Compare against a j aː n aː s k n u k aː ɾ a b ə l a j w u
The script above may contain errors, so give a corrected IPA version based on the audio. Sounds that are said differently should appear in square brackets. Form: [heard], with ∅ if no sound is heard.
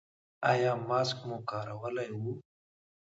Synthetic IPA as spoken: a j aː [m] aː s k [m] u k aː ɾ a [w] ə l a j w u